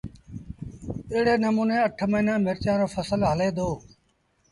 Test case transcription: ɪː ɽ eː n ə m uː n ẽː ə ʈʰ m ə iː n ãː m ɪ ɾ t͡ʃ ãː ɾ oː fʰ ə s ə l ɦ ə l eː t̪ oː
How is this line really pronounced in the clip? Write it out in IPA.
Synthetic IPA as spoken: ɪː ɽ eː n ə m uː n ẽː ə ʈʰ m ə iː n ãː m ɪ ɾ t͡ʃ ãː ɾ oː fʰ ə s ə l ɦ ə l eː d̪ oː

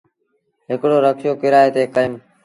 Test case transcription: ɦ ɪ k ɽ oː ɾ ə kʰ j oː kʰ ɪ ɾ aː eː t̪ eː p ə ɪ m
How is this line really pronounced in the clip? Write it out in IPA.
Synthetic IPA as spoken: ɦ ɪ k ɽ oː ɾ ə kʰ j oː k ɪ ɾ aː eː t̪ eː k ə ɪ m

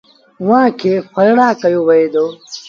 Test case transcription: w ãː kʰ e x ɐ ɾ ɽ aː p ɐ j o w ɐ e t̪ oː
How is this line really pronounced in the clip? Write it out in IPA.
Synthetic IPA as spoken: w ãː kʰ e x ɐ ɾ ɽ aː k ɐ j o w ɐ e d̪ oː

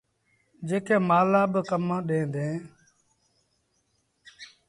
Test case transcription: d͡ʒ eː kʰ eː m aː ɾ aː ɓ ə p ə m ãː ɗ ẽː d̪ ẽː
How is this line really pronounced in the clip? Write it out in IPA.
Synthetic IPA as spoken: d͡ʒ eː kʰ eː m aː l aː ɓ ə k ə m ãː ɗ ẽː d̪ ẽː

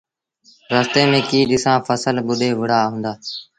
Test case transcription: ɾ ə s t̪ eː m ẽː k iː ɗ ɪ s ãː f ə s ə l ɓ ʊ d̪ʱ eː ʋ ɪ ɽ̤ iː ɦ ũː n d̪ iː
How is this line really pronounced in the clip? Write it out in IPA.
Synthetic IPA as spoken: ɾ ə s t̪ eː m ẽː k iː ɗ ɪ s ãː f ə s ə l ɓ ʊ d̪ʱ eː ʋ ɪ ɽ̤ aː ɦ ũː n d̪ aː

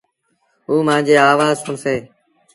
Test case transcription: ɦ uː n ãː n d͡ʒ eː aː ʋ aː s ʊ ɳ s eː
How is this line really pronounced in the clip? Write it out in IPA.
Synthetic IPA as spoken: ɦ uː m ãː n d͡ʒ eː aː ʋ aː z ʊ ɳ s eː

